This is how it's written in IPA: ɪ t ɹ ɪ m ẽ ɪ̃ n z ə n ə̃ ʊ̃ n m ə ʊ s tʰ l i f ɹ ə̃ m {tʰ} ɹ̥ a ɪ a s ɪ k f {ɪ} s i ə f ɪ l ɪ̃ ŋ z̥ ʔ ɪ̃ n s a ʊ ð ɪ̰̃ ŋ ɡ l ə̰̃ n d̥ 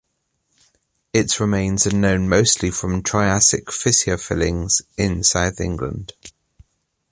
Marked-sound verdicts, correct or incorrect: correct, correct

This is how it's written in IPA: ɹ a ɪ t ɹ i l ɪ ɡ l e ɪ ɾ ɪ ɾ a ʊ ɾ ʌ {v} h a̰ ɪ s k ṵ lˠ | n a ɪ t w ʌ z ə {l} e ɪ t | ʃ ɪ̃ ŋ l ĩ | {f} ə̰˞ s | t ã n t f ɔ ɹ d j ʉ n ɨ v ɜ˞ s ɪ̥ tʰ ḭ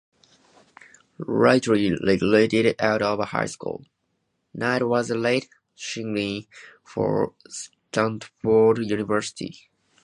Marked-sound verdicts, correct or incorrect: correct, correct, correct

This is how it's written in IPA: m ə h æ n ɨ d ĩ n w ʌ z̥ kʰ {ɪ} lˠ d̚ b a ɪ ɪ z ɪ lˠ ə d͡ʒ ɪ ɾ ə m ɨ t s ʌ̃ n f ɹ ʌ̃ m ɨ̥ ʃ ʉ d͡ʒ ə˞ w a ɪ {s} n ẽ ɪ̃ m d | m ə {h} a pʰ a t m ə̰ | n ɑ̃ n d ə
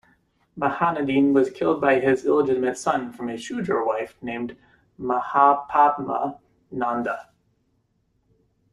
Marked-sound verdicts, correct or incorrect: correct, incorrect: f, correct

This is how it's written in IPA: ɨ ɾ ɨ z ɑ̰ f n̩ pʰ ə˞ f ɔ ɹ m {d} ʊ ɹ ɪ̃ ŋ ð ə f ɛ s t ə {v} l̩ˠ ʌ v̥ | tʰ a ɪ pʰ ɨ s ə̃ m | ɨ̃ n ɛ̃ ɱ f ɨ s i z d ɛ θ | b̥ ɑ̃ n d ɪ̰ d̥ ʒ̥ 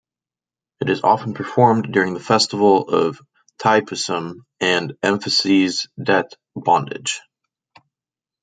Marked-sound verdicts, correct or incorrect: correct, correct

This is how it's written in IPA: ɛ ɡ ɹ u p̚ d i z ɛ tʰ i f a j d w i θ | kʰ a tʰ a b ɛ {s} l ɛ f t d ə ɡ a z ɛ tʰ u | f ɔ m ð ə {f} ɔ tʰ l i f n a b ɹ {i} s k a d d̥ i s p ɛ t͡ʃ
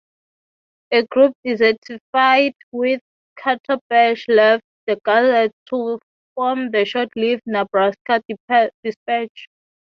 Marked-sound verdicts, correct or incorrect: incorrect: ʃ, incorrect: ʃ, incorrect: a

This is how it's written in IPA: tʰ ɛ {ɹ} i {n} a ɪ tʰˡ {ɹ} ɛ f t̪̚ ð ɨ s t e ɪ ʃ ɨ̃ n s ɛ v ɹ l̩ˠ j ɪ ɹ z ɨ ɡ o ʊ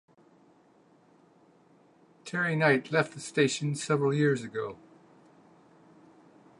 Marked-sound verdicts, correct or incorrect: correct, correct, incorrect: l

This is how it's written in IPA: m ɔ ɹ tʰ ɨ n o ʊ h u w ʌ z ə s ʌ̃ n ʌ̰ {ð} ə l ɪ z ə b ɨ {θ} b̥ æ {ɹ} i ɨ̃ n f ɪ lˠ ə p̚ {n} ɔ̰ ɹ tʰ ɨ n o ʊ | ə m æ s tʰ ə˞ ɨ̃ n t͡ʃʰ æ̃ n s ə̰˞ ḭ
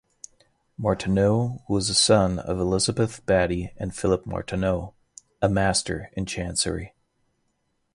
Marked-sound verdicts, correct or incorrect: incorrect: v, correct, incorrect: ɾ, incorrect: m

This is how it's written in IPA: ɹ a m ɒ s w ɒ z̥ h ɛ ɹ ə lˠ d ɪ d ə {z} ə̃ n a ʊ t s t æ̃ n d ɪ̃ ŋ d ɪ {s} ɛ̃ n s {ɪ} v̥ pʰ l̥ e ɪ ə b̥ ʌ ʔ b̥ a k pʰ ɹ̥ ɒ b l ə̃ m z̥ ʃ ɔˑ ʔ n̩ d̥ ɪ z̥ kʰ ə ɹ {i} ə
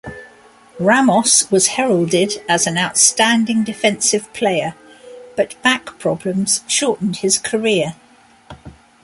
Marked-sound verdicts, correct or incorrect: correct, incorrect: f, correct, incorrect: ɪ

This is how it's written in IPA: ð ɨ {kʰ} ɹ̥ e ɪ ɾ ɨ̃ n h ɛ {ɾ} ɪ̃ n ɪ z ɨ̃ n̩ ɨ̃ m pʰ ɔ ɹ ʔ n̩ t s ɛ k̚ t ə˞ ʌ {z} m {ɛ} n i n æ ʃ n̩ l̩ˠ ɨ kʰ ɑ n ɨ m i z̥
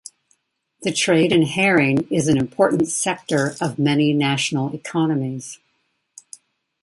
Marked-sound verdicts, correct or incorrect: incorrect: tʰ, incorrect: ɹ, incorrect: v, correct

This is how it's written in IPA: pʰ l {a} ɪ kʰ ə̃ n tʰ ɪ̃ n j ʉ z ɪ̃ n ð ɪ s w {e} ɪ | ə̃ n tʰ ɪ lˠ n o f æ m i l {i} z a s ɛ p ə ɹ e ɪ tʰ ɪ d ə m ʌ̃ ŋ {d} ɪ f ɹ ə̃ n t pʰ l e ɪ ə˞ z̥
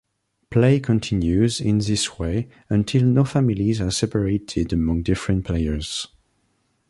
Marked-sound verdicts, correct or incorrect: incorrect: e, correct, correct, correct

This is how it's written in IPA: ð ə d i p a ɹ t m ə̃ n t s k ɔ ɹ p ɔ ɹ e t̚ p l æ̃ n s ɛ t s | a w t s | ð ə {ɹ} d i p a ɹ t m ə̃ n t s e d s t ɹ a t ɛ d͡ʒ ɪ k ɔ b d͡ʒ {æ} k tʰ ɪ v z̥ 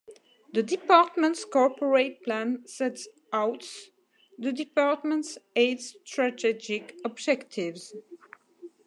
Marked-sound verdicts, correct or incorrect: incorrect: none, incorrect: ɛ

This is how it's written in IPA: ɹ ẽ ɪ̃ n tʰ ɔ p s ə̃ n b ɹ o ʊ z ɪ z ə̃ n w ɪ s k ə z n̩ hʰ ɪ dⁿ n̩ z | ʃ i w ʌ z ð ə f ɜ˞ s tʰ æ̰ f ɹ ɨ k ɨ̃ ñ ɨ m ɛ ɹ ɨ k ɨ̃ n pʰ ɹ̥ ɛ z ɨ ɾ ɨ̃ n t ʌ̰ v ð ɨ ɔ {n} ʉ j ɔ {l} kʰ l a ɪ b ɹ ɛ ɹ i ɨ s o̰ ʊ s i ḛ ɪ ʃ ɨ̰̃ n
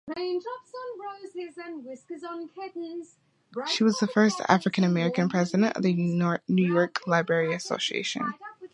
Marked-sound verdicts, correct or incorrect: correct, incorrect: ɹ

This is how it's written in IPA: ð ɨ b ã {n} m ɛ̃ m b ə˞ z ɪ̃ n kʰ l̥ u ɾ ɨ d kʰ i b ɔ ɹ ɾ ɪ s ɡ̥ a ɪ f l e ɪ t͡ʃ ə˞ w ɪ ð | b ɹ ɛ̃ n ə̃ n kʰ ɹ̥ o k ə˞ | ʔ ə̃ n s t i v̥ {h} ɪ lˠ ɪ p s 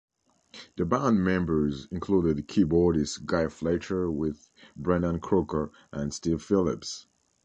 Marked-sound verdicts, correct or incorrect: correct, incorrect: f

